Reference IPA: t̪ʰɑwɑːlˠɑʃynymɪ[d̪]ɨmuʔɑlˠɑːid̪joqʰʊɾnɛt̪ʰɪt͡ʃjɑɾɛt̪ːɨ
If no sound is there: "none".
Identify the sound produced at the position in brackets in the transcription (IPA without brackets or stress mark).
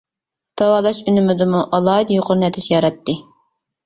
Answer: d̪